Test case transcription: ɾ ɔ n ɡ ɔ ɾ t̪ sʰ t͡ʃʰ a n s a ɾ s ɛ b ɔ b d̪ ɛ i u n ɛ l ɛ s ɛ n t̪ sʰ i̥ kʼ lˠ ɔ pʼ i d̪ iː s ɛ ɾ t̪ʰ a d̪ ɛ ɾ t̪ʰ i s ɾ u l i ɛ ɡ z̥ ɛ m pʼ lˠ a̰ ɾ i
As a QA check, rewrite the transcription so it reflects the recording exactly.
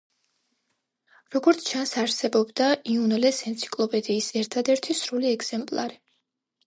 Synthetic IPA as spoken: ɾ ɔ ɡ ɔ ɾ t̪ sʰ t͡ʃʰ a n s a ɾ s ɛ b ɔ b d̪ a i u n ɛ l ɛ s ɛ n t̪ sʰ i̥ kʼ lˠ ɔ pʼ ɛ d̪ iː s ɛ ɾ t̪ʰ a d̪ ɛ ɾ t̪ʰ i s ɾ u l i ɛ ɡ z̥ ɛ m pʼ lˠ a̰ ɾ i

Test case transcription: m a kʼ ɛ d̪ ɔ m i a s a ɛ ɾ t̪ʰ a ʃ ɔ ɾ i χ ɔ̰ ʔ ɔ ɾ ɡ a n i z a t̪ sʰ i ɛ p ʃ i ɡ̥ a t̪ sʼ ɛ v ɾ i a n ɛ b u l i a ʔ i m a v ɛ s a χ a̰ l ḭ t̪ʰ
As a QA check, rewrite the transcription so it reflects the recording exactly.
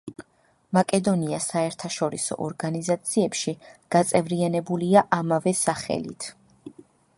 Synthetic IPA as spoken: m a kʼ ɛ d̪ ɔ n i a s a ɛ ɾ t̪ʰ a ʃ ɔ ɾ i s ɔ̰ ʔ ɔ ɾ ɡ a n i z a t̪ sʰ i ɛ p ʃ i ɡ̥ a t̪ sʼ ɛ v ɾ i a n ɛ b u l i a ʔ a m a v ɛ s a χ ɛ̰ l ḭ t̪ʰ

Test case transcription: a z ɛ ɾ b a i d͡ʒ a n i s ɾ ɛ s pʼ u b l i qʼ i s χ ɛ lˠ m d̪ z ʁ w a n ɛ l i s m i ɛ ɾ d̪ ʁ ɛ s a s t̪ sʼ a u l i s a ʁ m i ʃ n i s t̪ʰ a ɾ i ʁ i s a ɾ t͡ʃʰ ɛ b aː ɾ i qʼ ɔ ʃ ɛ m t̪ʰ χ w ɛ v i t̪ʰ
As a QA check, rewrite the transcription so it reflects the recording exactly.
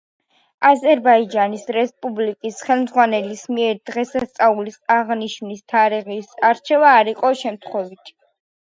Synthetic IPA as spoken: a z ɛ ɾ b a i d͡ʒ a n i s ɾ ɛ s pʼ u b l i kʼ i s χ ɛ lˠ m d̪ z ʁ w a n ɛ l i s m i ɛ ɾ d̪ ʁ ɛ s a s t̪ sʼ a u l i s a ʁ n i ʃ n i s t̪ʰ a ɾ i ʁ i s a ɾ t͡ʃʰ ɛ v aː ɾ i qʼ ɔ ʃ ɛ m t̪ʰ χ w ɛ v i t̪ʰ

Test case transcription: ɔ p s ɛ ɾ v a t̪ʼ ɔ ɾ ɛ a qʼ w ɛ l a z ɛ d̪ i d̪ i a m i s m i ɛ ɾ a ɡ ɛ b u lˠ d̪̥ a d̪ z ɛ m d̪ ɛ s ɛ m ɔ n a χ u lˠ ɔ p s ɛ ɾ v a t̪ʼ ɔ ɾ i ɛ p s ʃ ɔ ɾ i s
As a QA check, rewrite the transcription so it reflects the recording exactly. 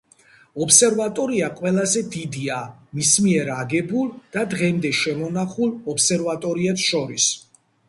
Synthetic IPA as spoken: ɔ p s ɛ ɾ v a t̪ʼ ɔ ɾ i a qʼ w ɛ l a z ɛ d̪ i d̪ i a m i s m i ɛ ɾ a ɡ ɛ b u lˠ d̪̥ a d̪ ʁ ɛ m d̪ ɛ ʃ ɛ m ɔ n a χ u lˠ ɔ p s ɛ ɾ v a t̪ʼ ɔ ɾ i ɛ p s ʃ ɔ ɾ i s

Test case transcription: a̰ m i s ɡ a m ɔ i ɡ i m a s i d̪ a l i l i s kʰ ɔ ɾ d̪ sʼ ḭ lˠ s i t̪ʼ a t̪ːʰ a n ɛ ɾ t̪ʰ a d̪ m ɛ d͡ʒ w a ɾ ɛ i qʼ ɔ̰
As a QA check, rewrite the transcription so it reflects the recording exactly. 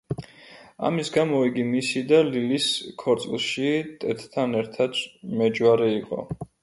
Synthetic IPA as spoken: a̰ m i s ɡ a m ɔ i ɡ i m i s i d̪ a l i l i s kʰ ɔ ɾ t̪ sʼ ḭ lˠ ʃ i t̪ʼ ɛ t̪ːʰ a n ɛ ɾ t̪ʰ a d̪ m ɛ d͡ʒ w a ɾ ɛ i qʼ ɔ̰

